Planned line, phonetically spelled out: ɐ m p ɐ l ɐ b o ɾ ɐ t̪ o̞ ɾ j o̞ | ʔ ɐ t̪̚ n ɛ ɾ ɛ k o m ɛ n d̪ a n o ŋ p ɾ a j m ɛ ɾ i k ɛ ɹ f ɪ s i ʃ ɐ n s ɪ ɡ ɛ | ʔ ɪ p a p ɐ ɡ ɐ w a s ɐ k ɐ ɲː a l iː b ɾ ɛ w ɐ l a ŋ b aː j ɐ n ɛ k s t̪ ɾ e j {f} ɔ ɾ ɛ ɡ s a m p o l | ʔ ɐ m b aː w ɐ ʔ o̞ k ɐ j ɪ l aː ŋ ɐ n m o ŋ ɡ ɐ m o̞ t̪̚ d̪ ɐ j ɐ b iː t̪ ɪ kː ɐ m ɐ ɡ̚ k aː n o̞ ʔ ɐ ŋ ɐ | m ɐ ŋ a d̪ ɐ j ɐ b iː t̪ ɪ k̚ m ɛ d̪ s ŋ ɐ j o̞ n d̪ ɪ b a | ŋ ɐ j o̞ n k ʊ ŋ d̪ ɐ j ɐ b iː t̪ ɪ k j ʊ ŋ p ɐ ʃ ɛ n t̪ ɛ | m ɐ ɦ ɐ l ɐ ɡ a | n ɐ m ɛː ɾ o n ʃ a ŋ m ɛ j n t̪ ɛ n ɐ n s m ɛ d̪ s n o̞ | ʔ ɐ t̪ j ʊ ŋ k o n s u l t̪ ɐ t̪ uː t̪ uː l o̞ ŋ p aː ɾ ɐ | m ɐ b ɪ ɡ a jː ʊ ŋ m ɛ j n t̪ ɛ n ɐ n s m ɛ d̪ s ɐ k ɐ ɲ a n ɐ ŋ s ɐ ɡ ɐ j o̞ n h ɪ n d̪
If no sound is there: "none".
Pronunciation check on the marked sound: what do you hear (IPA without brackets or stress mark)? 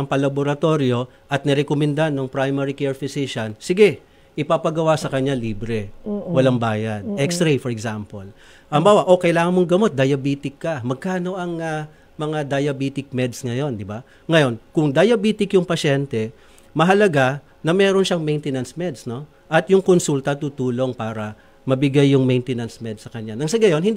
f